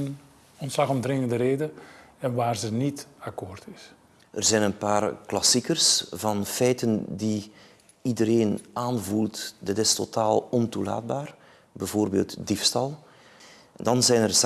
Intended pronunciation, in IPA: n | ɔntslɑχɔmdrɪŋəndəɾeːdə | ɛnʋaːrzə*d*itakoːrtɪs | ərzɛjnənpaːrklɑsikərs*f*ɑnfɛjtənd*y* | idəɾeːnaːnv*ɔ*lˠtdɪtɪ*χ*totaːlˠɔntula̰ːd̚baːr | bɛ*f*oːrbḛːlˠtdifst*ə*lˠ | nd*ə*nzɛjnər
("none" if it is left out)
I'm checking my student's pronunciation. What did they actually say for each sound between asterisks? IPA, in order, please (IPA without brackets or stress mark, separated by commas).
n, v, i, u, s, v, ɑ, ɑ